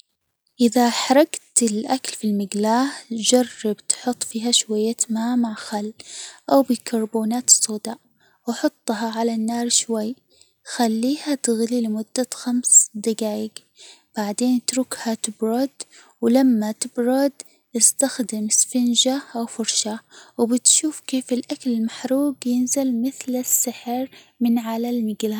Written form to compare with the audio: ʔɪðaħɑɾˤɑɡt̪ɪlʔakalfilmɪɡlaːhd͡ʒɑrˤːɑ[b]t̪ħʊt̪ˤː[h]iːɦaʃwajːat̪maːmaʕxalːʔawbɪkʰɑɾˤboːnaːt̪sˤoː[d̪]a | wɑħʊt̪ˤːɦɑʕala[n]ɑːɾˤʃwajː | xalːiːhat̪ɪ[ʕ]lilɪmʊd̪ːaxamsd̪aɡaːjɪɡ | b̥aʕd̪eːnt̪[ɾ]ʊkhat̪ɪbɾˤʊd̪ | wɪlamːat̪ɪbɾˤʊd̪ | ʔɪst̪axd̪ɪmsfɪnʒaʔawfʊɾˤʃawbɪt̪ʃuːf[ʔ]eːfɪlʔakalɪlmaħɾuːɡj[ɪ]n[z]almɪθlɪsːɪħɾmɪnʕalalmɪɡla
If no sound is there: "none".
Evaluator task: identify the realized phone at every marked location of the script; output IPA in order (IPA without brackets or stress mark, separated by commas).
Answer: b, f, d̪, nː, ɣ, ɾ, k, ɪ, z